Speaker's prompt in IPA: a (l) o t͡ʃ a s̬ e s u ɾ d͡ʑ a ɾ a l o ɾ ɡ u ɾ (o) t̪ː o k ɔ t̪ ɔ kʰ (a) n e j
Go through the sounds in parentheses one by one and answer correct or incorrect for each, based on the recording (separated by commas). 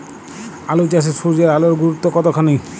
correct, incorrect, correct